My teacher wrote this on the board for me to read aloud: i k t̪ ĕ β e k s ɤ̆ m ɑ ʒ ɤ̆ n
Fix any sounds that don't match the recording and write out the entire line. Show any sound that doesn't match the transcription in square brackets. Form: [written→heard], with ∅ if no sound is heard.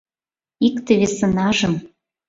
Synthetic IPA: i k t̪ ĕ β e [k→∅] s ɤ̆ [m→n] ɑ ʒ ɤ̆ [n→m]